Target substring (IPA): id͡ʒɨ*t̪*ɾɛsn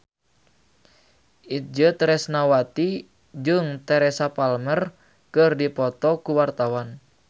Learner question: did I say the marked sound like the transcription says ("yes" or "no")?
yes